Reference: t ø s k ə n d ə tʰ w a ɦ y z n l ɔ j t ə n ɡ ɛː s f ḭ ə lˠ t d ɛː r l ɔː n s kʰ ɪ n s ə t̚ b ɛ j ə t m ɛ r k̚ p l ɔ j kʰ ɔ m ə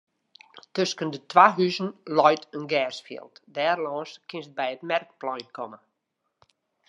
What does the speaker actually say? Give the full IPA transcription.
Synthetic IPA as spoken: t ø s k ə n d ə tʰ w a ɦ y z n l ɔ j t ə n ɡ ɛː s f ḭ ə lˠ t d ɛː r l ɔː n s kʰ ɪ n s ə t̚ b ɛ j ə t m ɛ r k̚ p l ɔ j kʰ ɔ m ə